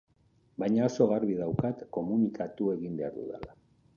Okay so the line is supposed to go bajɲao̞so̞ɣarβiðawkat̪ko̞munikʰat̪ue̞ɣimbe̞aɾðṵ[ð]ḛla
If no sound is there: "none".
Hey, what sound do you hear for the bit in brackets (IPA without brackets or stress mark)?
ð